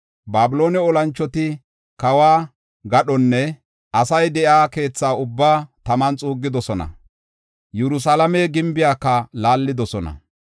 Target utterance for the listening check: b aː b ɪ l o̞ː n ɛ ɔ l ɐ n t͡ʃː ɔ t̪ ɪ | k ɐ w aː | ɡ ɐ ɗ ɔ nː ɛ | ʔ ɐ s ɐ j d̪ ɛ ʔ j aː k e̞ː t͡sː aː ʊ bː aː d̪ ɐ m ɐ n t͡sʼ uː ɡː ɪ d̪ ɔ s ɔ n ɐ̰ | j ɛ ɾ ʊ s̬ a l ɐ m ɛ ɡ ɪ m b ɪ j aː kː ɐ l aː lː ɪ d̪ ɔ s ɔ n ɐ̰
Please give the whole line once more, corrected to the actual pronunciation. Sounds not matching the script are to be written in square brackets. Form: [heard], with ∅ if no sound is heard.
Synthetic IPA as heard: b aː b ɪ l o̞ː n ɛ ɔ l ɐ n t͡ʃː ɔ t̪ ɪ | k ɐ w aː | ɡ ɐ ɗ ɔ nː ɛ | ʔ ɐ s ɐ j d̪ ɛ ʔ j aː k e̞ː t͡sː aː ʊ bː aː [t̪] ɐ m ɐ n t͡sʼ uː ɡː ɪ d̪ ɔ s ɔ n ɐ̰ | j ɛ ɾ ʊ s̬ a l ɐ m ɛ ɡ ɪ m b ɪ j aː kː ɐ l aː lː ɪ d̪ ɔ s ɔ n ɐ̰